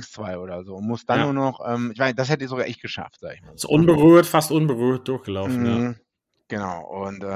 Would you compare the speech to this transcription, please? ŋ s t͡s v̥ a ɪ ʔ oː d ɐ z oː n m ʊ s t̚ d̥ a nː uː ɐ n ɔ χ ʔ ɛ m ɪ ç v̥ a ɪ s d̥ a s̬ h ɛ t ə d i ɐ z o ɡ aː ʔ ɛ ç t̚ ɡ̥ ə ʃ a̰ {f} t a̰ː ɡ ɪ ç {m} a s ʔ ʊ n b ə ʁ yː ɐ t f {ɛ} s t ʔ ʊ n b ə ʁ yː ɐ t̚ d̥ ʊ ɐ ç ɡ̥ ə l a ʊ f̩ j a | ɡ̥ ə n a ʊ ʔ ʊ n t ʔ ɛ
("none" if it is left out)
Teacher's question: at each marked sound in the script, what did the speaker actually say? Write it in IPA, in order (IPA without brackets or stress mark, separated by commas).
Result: f, m, a